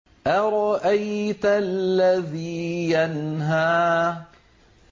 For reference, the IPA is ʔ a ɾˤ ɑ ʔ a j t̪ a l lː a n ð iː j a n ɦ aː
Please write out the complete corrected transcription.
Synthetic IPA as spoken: ʔ a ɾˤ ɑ ʔ a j t̪ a l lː a ð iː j a n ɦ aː